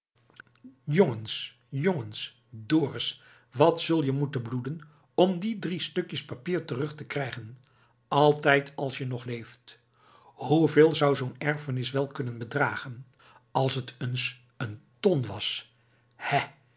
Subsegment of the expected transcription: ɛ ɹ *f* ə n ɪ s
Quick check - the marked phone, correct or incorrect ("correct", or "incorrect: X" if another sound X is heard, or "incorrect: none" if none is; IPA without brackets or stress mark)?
correct